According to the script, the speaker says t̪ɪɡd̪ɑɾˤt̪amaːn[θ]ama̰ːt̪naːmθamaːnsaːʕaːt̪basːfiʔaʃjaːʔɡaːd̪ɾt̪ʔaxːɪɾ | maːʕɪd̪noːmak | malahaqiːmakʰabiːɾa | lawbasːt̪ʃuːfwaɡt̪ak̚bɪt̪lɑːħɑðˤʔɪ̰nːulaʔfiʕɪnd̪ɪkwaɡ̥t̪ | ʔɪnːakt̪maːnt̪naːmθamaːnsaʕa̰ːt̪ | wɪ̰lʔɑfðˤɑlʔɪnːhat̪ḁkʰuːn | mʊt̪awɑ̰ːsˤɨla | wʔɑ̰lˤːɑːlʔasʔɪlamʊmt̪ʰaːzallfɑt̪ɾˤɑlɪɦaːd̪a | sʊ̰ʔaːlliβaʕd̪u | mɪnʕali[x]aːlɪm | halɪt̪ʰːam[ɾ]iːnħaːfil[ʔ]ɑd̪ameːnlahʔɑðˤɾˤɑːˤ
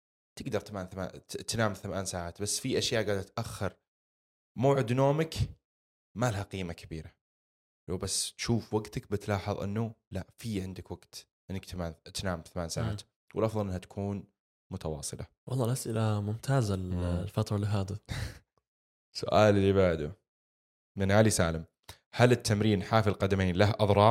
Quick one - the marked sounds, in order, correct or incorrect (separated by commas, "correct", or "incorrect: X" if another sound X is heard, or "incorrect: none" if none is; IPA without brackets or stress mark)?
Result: correct, incorrect: s, correct, incorrect: q